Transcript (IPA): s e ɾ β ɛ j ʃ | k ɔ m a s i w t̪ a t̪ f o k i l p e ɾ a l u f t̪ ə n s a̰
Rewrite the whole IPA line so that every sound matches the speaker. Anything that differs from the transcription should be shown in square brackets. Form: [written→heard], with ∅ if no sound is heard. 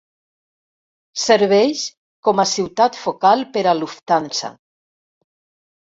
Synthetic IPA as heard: s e ɾ β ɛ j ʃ | k ɔ m a s i w t̪ a t̪ f o k [i→a] l p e ɾ a l u f t̪ [ə→a] n s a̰